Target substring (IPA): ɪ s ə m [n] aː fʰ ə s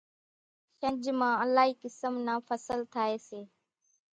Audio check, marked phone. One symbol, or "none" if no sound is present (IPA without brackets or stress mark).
n